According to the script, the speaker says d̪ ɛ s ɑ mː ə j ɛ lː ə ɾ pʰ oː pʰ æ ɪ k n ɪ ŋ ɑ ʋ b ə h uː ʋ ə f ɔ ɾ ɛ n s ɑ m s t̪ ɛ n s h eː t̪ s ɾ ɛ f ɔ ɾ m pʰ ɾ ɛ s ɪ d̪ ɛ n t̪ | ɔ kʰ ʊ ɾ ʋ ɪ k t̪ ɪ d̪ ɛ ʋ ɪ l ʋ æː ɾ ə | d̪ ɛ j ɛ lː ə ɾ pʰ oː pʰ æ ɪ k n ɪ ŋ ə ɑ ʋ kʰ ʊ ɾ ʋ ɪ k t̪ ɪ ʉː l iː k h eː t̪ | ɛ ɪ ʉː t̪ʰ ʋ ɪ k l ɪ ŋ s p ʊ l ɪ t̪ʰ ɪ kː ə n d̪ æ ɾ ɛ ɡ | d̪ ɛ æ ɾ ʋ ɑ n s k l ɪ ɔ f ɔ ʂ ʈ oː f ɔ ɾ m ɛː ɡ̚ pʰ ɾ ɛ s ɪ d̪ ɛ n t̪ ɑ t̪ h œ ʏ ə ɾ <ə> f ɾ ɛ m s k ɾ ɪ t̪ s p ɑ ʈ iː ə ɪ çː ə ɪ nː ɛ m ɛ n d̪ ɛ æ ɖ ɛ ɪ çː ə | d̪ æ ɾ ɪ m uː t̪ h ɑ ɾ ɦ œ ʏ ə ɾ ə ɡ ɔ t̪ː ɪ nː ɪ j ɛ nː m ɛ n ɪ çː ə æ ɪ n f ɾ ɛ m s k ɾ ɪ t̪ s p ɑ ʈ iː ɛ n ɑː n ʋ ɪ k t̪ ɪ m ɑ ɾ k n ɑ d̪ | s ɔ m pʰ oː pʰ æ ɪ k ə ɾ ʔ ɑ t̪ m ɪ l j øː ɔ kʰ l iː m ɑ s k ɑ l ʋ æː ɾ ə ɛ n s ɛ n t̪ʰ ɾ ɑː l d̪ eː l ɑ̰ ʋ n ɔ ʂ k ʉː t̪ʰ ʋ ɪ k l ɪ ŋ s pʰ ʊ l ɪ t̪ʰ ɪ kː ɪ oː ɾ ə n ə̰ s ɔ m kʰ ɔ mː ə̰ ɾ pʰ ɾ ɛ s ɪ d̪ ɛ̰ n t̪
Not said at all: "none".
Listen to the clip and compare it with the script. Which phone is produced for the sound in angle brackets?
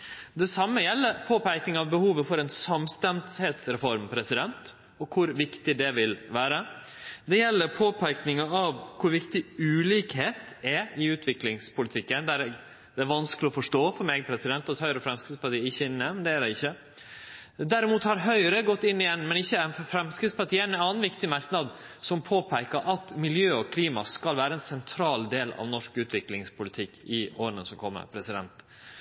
ə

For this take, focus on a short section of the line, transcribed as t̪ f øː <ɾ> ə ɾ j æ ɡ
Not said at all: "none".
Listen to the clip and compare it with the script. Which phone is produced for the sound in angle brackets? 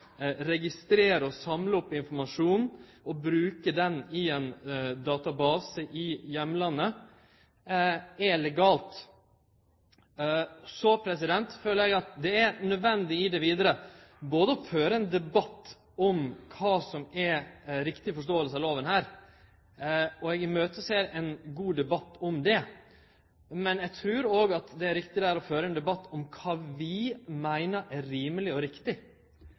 l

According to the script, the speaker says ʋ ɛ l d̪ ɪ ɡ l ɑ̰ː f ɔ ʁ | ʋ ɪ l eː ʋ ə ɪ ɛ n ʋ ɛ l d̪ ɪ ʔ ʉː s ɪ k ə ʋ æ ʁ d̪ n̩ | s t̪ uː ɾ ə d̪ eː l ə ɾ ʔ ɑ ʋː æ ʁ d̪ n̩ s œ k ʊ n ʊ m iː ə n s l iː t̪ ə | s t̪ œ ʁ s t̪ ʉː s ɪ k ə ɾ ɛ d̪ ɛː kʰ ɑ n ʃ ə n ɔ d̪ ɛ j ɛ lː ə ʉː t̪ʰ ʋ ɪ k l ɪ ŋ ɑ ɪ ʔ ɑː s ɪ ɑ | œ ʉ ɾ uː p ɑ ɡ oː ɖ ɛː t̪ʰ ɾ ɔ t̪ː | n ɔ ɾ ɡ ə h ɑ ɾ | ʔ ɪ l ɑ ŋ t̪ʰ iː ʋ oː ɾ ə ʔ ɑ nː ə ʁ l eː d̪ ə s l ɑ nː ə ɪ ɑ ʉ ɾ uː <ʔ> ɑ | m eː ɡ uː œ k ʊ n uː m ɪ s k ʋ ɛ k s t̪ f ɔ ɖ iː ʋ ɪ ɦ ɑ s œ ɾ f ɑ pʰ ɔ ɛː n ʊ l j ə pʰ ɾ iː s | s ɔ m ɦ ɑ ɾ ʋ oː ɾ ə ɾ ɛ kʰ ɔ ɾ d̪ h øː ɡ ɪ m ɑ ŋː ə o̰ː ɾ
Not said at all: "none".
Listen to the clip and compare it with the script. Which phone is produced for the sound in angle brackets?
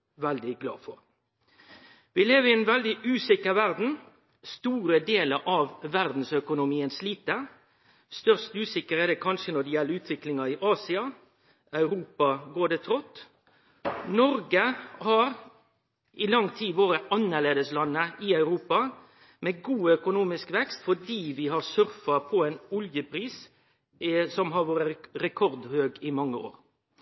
p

